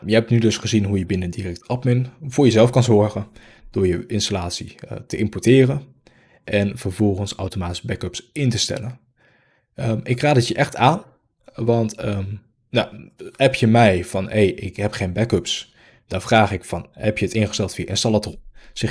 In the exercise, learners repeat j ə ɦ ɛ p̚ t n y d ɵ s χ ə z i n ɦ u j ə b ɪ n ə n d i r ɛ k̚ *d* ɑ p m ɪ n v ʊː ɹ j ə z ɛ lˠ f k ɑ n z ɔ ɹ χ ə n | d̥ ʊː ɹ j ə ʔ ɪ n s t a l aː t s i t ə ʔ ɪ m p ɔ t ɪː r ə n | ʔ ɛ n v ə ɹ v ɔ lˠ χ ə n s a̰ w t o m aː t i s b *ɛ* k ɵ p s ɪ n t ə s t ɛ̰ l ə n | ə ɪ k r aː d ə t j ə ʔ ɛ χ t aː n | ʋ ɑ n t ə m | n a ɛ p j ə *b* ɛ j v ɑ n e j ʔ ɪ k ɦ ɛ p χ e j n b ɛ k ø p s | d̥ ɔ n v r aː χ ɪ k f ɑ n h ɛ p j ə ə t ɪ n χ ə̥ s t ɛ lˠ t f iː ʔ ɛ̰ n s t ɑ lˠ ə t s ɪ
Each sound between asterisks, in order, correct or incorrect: incorrect, correct, incorrect

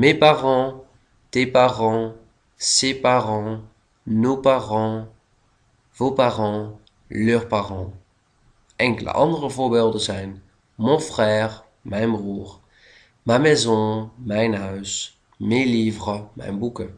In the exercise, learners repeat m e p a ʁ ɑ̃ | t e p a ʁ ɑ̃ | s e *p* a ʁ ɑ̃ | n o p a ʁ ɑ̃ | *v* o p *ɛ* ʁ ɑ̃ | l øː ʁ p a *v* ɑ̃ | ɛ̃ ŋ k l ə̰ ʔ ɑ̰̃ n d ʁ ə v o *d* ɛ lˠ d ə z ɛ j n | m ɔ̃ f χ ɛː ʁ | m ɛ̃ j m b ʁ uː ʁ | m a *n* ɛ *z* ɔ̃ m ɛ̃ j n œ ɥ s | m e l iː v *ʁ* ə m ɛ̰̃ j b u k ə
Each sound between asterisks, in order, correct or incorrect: correct, correct, incorrect, incorrect, incorrect, incorrect, correct, correct

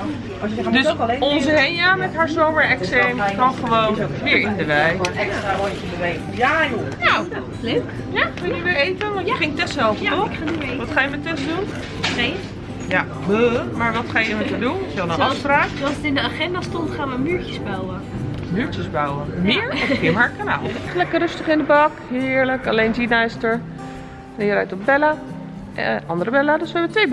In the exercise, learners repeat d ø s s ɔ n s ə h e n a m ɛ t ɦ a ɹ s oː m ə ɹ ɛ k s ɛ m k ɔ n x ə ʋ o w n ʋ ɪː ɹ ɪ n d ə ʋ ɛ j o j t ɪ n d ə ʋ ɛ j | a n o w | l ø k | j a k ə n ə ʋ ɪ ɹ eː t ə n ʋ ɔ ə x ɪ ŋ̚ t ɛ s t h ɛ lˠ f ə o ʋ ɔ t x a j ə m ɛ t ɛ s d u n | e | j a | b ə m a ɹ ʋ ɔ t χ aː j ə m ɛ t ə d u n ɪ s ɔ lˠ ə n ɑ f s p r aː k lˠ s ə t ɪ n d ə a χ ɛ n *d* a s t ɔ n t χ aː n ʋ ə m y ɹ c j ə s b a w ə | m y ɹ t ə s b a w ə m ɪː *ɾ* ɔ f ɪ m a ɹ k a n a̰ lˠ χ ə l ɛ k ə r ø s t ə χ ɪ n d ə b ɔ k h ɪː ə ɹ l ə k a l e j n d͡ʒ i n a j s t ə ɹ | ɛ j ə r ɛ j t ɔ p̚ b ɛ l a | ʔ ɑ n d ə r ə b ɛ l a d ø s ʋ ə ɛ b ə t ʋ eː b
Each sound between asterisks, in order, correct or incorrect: correct, incorrect

